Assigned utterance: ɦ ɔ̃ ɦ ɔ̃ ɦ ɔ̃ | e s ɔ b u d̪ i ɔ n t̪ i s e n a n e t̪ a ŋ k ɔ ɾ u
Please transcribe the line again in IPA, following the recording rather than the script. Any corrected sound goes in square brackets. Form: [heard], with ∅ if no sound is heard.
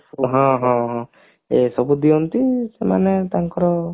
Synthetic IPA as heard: ɦ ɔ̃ ɦ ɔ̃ ɦ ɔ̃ | e s ɔ b u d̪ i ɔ n t̪ i s e [m] a n e t̪ a ŋ k ɔ ɾ [ɔ]

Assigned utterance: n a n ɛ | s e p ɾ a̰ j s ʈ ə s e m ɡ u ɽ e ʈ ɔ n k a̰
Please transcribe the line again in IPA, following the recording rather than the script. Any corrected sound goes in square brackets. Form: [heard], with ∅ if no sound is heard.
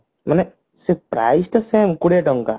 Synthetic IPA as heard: [m] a n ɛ | s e p ɾ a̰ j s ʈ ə s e m [k] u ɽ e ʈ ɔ [ŋ] k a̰

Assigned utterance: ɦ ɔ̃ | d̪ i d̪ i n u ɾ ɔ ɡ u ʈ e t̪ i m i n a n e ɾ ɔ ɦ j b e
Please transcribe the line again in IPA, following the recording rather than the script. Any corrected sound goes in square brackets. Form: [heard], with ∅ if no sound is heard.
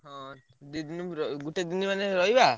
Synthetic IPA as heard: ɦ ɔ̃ | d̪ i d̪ i n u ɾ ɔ ɡ u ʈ e [d̪] i [n] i [m] a n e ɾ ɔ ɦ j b [a]

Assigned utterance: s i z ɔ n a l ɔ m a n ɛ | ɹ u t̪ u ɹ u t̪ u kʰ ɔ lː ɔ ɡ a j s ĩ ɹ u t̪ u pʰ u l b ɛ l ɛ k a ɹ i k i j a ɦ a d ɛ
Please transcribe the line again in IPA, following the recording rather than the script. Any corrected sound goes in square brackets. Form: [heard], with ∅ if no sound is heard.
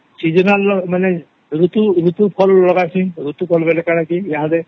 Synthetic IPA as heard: s i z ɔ n a l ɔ m a n ɛ | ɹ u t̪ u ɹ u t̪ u [pʰ] ɔ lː ɔ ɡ a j s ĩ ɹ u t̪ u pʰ [ɔ] l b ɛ l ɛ k a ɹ [a] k i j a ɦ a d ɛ

